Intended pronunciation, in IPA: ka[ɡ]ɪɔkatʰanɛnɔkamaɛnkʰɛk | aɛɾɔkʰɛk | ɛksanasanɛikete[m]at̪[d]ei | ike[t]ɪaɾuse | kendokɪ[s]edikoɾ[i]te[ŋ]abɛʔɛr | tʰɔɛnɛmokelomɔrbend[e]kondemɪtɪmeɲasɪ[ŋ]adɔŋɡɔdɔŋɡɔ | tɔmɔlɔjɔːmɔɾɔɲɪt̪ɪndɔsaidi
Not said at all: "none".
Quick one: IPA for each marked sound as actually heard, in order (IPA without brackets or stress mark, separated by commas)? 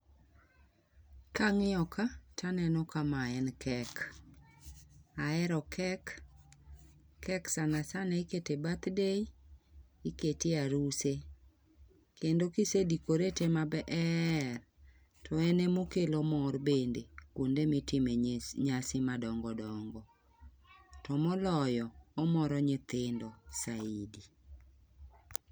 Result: ŋ, b, d, t, s, e, m, e, m